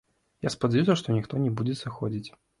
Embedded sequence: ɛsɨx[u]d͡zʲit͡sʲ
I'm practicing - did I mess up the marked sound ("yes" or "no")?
yes